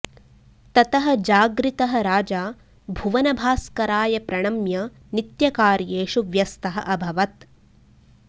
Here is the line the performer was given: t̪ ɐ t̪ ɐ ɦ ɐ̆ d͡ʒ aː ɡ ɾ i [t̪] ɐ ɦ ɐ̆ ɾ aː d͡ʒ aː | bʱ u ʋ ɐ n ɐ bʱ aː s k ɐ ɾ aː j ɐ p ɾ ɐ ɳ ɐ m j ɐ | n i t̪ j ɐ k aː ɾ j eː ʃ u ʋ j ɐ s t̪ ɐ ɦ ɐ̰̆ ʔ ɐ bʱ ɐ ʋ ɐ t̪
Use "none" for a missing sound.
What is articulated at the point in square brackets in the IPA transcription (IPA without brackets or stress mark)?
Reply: t̪